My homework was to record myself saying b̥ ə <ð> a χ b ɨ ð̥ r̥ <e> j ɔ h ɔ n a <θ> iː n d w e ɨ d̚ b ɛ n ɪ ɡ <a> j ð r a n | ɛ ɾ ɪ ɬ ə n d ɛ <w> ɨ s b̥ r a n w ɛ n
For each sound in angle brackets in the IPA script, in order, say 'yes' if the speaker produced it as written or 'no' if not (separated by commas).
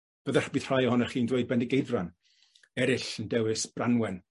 yes, no, no, no, yes